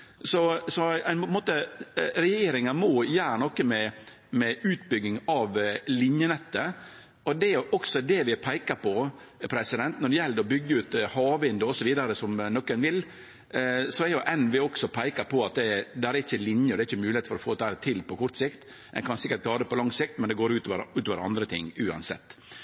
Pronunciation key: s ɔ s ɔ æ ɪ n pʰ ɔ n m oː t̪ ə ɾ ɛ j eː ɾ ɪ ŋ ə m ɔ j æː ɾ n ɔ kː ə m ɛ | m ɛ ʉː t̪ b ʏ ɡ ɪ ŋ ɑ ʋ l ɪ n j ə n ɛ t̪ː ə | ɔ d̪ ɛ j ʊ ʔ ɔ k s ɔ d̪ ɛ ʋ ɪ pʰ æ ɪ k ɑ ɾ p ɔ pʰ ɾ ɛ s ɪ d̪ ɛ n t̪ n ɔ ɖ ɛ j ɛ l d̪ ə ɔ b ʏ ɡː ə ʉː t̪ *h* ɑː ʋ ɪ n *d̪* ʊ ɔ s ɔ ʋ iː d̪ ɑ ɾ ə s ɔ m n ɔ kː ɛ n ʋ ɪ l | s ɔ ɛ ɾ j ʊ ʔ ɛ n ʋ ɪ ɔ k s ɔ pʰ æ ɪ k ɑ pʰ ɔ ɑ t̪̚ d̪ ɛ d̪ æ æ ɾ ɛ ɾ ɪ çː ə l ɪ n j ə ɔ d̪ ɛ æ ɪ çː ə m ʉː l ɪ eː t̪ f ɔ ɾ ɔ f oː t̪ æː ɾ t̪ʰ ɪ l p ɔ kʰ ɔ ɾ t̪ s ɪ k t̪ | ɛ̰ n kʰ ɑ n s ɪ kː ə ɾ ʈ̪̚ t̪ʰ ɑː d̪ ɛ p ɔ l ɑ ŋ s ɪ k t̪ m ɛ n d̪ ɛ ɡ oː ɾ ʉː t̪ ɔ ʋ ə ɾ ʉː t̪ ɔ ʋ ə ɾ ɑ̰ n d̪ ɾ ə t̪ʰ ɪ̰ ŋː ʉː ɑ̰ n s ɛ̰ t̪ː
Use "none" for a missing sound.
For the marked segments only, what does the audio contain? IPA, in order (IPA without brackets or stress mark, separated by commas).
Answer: h, d̪